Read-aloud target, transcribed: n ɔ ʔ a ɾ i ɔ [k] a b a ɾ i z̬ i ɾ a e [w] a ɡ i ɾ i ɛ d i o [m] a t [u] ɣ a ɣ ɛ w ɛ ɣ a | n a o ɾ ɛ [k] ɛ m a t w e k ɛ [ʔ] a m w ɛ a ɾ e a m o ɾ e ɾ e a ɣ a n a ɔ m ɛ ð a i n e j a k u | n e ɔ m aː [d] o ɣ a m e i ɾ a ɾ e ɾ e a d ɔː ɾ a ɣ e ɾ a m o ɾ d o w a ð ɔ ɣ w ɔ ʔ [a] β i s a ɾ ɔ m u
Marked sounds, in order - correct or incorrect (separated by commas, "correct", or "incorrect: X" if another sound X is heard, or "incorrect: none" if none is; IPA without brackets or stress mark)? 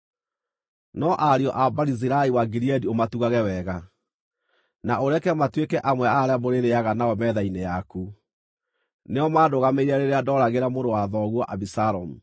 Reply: incorrect: ʔ, correct, correct, correct, correct, correct, correct, correct